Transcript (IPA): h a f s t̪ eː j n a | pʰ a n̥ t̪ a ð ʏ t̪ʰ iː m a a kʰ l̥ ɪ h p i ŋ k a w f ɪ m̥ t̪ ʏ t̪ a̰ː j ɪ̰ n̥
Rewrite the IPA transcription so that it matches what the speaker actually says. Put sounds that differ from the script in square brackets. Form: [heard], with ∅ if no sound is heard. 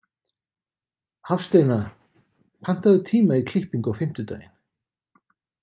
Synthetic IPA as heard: h a f s t̪ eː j n a | pʰ a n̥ t̪ a ð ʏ t̪ʰ iː m a [i] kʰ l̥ ɪ h p i ŋ k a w f ɪ m̥ t̪ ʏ t̪ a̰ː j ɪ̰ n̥